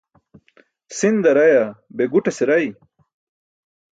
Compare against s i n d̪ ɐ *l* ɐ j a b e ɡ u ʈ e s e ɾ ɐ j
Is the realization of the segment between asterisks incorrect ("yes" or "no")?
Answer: yes